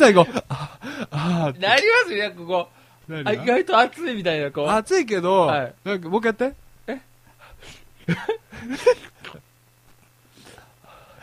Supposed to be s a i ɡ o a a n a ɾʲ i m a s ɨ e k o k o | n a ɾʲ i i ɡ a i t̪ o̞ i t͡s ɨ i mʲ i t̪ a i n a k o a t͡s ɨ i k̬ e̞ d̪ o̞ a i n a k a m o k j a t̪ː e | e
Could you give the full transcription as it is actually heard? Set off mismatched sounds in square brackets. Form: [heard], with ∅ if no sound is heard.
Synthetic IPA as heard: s a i ɡ o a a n a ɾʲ i m a s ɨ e k o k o | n a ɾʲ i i ɡ a i t̪ o̞ [a] t͡s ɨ i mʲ i t̪ a i n a k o a t͡s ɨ i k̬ e̞ d̪ o̞ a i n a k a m o k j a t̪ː e | e